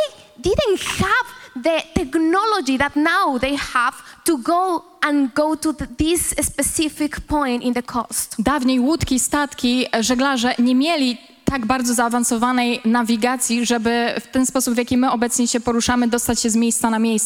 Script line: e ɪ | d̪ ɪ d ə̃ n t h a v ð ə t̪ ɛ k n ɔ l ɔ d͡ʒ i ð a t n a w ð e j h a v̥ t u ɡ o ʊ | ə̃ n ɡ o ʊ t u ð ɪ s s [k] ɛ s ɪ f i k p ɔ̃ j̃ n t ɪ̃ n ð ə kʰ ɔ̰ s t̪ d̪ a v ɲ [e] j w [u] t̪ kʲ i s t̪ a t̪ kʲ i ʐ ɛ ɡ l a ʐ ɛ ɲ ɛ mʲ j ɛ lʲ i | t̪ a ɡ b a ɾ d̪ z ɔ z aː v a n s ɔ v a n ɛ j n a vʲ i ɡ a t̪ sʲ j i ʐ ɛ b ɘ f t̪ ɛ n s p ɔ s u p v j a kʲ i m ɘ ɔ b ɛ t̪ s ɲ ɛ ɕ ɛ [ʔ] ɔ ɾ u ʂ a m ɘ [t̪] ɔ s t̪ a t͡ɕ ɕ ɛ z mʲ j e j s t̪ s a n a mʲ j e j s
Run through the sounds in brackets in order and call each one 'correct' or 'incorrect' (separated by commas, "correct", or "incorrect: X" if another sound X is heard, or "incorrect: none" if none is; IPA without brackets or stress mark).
incorrect: p, correct, correct, incorrect: p, incorrect: d̪